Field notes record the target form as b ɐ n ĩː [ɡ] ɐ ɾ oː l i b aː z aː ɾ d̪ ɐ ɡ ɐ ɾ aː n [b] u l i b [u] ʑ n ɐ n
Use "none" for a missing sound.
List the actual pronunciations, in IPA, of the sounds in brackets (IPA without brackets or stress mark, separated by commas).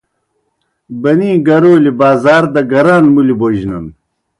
ɡ, m, o